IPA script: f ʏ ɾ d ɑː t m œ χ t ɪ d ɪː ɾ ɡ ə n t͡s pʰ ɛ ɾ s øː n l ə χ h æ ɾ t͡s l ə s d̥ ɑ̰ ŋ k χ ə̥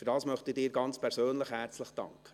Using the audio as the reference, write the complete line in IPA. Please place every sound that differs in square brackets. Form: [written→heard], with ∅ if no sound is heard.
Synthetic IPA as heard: f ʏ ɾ d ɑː [t→s] m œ χ t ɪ d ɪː ɾ ɡ [ə→ɑ] n t͡s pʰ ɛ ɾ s øː n l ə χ h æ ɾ t͡s l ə [s→χ] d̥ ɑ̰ ŋ k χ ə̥

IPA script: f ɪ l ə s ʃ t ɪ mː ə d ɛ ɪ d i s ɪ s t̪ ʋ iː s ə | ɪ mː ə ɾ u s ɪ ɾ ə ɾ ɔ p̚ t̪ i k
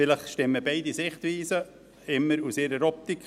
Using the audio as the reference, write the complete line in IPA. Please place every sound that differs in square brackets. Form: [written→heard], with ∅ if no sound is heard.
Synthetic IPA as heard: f ɪ l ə [s→χ] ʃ t ɪ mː ə [d→b] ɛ ɪ d i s ɪ [s→χ] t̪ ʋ iː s ə | ɪ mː ə ɾ u s ɪ ɾ ə ɾ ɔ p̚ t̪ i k

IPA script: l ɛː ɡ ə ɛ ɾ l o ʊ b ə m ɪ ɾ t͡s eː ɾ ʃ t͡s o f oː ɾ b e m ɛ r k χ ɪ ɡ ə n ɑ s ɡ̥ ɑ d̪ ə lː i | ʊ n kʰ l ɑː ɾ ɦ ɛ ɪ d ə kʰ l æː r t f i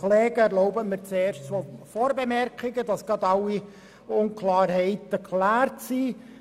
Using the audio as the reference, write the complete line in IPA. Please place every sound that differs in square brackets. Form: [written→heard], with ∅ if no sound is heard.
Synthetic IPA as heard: l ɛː ɡ ə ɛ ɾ l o ʊ b ə m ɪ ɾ t͡s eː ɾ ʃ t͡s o f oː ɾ b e m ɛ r k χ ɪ ɡ ə [n→d] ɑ s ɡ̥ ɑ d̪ [ə→ɑ] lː i | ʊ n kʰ l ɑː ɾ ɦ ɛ ɪ [d→t] ə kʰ l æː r t [f→s] i

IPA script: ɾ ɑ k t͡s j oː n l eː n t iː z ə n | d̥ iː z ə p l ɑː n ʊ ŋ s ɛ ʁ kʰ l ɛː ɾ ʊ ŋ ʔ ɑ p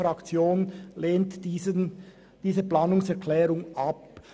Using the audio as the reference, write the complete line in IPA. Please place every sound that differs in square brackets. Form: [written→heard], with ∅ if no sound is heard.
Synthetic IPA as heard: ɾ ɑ k t͡s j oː n l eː n t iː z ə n | d̥ iː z ə p l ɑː n ʊ ŋ s ɛ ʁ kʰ l ɛː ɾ ʊ ŋ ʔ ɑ p

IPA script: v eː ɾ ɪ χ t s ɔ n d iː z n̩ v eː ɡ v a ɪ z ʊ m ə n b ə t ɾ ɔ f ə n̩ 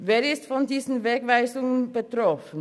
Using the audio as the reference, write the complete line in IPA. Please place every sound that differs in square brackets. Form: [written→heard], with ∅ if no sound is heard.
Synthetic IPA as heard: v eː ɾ ɪ [χ→s] t [s→f] ɔ n d iː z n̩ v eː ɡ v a ɪ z ʊ [m→ŋ] ə n b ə t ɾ ɔ f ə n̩

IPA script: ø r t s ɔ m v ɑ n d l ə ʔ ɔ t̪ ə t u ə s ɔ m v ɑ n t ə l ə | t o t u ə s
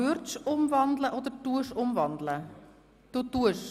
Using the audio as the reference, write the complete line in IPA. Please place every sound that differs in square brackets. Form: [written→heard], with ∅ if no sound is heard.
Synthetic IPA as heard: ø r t s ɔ m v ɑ n d l ə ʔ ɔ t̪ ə t u ə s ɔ m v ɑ n [t→d] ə l ə | t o t u ə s

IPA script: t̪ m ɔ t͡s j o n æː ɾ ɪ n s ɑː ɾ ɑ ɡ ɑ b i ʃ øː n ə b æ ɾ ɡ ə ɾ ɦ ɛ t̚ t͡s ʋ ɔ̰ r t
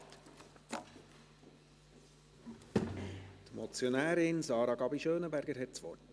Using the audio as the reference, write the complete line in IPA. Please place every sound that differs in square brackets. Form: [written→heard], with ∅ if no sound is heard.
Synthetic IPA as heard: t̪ m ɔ t͡s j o n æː ɾ ɪ n s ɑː ɾ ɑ ɡ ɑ b i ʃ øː n ə b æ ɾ ɡ ə ɾ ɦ ɛ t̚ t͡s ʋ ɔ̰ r t

